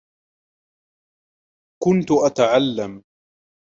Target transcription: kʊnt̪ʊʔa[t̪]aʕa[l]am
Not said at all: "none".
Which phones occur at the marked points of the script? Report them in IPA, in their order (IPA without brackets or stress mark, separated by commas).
t̪, lː